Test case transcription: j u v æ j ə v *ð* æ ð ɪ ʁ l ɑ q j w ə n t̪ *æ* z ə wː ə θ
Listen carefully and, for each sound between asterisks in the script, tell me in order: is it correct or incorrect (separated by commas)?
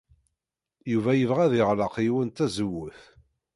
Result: incorrect, correct